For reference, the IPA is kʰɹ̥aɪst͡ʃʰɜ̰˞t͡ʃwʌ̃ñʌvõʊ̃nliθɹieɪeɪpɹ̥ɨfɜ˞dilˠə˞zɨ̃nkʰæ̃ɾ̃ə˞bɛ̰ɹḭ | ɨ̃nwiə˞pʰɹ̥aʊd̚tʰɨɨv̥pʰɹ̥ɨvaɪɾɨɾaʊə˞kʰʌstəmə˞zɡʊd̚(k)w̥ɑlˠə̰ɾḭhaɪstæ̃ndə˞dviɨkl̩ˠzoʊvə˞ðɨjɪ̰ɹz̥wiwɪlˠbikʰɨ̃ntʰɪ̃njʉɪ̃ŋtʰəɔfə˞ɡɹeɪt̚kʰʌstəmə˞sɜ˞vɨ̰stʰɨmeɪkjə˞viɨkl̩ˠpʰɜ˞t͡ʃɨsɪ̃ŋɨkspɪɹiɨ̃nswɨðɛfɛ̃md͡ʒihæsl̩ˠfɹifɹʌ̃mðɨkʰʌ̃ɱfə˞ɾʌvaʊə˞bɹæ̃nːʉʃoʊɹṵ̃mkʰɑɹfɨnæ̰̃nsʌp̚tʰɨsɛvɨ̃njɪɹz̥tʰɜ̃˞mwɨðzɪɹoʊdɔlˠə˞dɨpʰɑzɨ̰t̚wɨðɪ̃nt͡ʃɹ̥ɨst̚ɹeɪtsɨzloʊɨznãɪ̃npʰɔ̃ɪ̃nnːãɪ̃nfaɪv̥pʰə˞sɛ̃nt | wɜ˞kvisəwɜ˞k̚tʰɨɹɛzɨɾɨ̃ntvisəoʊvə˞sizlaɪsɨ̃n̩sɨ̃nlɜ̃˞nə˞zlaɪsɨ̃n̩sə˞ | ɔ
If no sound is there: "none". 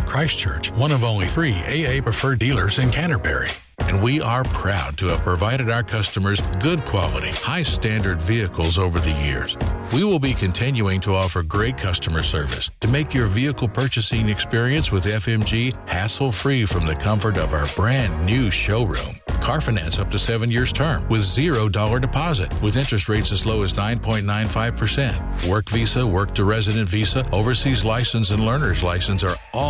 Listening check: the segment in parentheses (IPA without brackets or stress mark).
kʰ